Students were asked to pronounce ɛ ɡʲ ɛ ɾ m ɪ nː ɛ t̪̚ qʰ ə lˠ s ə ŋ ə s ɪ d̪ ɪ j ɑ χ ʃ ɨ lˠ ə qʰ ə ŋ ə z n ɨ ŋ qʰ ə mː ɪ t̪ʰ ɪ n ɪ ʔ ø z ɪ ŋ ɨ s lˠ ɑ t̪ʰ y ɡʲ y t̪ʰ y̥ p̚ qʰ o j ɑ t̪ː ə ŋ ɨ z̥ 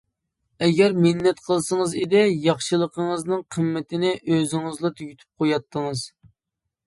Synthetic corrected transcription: ɛ ɡʲ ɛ ɾ m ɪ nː ɛ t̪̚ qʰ ə lˠ s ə ŋ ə z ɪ d̪ ɪ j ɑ χ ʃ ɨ lˠ ə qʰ ə ŋ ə z n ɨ ŋ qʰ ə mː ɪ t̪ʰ ɪ n ɪ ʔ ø z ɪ ŋ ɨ z lˠ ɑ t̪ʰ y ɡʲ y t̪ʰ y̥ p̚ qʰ o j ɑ t̪ː ə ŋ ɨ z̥